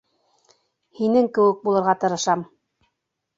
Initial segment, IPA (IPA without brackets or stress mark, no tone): h